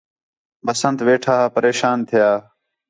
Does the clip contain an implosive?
no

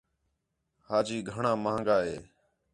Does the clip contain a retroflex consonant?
yes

